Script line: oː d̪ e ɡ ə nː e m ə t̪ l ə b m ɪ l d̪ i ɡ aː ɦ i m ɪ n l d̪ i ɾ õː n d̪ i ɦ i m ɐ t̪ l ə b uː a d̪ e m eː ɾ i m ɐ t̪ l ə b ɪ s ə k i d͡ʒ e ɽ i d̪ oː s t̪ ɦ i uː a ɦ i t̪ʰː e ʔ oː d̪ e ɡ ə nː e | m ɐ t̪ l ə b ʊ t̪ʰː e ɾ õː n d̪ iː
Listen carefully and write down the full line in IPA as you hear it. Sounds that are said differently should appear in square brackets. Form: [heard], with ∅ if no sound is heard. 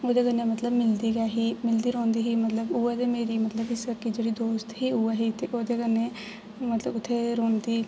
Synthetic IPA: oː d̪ e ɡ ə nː e m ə t̪ l ə b m ɪ l d̪ i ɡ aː ɦ i m ɪ [∅] l d̪ i ɾ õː n d̪ i ɦ i m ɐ t̪ l ə b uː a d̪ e m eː ɾ i m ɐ t̪ l ə b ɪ s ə k i d͡ʒ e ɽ i d̪ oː s t̪ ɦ i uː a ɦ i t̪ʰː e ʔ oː d̪ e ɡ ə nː e | m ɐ t̪ l ə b ʊ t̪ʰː e ɾ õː n d̪ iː